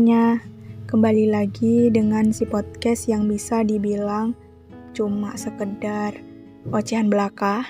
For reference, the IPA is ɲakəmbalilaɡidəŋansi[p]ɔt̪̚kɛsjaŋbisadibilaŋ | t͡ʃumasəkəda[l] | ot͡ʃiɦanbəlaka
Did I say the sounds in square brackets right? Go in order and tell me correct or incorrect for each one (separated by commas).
correct, incorrect